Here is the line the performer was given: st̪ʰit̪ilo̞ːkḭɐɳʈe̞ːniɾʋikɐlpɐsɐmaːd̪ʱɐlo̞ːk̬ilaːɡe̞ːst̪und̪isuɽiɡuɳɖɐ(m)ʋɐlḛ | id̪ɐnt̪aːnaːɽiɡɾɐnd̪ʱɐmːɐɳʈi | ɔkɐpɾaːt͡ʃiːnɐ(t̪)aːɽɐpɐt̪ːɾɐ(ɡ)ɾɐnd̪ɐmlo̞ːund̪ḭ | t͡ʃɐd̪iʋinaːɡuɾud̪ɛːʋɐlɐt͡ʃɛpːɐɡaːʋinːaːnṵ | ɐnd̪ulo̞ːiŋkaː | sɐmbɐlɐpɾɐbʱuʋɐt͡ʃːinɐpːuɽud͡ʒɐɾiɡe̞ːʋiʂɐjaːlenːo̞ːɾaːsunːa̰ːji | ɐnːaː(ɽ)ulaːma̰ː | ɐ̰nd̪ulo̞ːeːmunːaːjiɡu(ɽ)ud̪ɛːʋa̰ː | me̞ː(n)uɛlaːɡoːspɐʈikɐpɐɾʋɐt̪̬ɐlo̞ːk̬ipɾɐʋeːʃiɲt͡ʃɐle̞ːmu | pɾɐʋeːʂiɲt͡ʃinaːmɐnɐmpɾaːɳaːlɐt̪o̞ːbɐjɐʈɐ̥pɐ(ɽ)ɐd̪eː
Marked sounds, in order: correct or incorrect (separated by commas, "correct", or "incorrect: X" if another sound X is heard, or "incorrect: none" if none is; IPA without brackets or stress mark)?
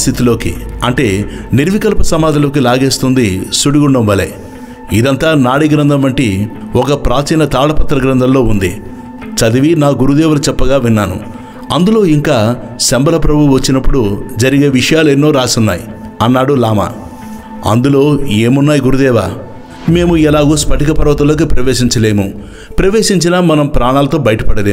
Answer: correct, correct, correct, correct, incorrect: ɾ, incorrect: m, correct